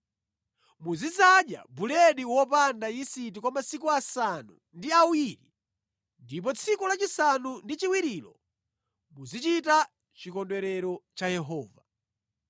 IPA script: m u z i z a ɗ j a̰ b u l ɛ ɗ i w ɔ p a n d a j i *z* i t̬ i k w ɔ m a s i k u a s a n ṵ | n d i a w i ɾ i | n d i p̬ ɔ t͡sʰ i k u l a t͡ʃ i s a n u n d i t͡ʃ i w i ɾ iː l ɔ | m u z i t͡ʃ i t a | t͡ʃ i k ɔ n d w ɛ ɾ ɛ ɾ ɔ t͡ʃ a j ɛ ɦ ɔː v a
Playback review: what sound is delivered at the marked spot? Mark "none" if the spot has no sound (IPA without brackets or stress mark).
s